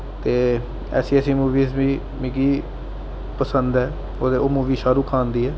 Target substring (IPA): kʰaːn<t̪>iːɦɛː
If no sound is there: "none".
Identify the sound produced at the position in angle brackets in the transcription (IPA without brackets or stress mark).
d̪